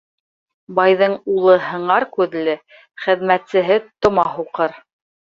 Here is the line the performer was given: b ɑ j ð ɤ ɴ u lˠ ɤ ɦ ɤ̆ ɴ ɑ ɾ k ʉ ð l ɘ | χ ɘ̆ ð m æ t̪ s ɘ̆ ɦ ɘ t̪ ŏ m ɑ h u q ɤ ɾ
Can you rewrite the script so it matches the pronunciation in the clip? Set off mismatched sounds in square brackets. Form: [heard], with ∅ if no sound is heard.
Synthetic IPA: b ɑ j ð ɤ ɴ u lˠ ɤ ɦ ɤ̆ ɴ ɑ ɾ k ʉ ð l ɘ | χ ɘ̆ ð m æ t̪ s ɘ̆ ɦ ɘ t̪ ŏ m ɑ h u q ɤ ɾ